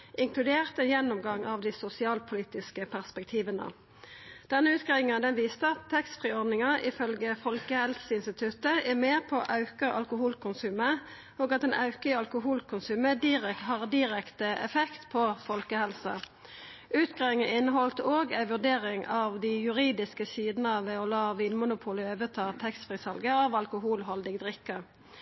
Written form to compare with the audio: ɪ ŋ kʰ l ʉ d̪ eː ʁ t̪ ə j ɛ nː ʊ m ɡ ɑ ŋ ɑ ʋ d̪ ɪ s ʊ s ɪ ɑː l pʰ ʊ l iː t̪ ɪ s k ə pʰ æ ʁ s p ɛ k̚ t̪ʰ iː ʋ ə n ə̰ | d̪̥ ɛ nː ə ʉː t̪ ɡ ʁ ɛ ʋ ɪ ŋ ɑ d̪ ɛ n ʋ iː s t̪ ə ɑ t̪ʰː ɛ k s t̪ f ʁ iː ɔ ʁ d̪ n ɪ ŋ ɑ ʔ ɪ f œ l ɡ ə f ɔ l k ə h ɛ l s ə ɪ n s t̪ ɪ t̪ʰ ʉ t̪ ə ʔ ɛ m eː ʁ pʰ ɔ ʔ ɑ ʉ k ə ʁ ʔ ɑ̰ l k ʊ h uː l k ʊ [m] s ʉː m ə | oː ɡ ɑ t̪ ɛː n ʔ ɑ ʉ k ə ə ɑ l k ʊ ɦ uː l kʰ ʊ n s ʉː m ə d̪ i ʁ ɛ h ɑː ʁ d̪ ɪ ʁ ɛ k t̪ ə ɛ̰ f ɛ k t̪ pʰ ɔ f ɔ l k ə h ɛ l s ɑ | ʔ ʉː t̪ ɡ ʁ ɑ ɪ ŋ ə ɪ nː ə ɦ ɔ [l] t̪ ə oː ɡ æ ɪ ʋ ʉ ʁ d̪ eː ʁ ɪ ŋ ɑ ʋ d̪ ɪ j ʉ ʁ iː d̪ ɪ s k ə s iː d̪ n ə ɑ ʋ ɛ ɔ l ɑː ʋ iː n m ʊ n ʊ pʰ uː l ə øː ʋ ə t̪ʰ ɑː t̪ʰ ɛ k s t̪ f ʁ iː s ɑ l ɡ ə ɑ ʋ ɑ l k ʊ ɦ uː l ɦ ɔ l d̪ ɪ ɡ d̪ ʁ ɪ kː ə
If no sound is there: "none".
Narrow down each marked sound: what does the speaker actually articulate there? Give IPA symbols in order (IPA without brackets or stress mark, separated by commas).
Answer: n, l